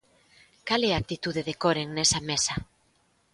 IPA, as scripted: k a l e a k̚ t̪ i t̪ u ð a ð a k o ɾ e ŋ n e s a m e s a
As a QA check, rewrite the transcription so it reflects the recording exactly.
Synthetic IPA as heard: k a l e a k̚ t̪ i t̪ u ð e ð e k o ɾ e ŋ n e s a m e s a